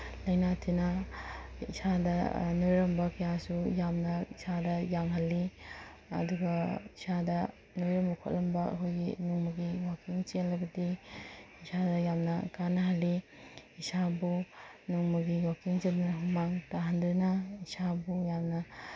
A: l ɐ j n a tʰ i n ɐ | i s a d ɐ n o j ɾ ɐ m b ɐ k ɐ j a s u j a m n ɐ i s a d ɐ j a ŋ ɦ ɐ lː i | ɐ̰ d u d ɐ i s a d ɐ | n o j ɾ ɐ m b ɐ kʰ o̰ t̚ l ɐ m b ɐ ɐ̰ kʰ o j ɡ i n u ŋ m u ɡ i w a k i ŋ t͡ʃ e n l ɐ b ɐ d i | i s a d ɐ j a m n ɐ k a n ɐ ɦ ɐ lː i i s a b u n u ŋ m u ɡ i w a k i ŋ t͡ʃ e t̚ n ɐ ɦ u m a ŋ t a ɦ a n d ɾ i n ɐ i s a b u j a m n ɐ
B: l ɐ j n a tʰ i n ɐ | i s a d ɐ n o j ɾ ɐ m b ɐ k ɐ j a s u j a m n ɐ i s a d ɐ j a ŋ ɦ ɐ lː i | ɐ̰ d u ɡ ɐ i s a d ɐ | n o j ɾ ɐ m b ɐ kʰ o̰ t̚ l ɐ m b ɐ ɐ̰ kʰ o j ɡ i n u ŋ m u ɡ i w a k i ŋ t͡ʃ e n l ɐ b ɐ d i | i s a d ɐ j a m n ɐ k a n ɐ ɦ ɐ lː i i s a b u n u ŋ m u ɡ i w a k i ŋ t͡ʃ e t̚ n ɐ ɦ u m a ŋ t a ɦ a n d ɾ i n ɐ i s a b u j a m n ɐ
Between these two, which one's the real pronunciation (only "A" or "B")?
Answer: B